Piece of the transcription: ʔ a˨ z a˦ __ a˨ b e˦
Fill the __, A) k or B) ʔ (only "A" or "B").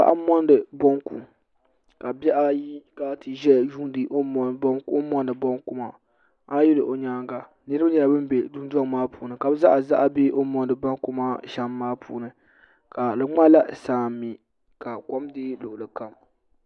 B